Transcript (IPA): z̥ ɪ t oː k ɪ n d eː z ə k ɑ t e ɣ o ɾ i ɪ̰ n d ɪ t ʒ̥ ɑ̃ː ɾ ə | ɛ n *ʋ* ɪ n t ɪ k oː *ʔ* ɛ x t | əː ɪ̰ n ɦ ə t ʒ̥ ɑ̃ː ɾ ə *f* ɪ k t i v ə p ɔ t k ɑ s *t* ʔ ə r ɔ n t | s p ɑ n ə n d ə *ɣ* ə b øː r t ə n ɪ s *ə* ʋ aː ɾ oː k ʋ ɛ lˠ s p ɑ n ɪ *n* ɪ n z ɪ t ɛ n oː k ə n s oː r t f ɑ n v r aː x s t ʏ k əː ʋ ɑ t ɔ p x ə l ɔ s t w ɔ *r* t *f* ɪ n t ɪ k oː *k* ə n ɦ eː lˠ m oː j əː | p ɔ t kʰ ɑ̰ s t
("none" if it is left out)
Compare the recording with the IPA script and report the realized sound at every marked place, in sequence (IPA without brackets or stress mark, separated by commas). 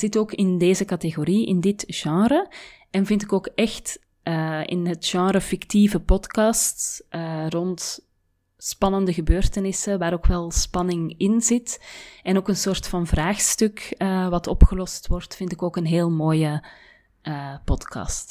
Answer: v, k, f, t, ɣ, ə, ŋ, r, f, k